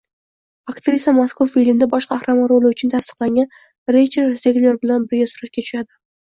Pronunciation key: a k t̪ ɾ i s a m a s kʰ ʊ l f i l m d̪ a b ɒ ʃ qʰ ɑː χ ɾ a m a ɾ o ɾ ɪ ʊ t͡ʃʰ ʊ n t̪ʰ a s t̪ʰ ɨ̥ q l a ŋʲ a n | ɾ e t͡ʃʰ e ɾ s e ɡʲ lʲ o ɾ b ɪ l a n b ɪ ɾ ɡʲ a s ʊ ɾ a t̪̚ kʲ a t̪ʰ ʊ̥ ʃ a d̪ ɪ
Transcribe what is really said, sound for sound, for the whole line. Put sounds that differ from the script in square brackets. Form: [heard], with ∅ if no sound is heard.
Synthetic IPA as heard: a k t̪ ɾ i s a m a s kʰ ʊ [ɾ] f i l m d̪ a b ɒ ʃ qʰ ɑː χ ɾ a m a ɾ o [l] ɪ ʊ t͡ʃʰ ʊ n t̪ʰ a s [t̪] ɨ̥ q l a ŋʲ a n | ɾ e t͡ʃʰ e ɾ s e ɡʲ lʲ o ɾ b ɪ l a n b ɪ ɾ ɡʲ a s ʊ ɾ a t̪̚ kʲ a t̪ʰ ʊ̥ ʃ a d̪ ɪ